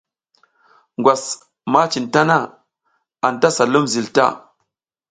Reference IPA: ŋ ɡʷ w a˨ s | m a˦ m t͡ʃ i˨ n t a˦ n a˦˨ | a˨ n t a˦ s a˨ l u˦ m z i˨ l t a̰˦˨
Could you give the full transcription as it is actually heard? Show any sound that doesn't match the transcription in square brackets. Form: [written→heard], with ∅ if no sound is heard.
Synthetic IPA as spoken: ŋ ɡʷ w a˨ s | m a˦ [m→∅] t͡ʃ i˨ n t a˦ n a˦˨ | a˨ n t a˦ s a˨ l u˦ m z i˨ l t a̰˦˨